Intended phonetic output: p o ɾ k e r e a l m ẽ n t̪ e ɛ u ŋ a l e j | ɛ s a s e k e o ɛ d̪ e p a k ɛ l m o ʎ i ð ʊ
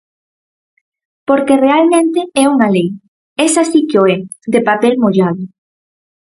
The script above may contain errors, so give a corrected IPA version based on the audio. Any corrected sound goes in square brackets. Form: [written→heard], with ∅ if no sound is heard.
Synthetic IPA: p o ɾ k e r e a l m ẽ n t̪ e ɛ u ŋ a l e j | ɛ s a s [e→i] k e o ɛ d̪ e p a [k→p] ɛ l m o ʎ [i→a] ð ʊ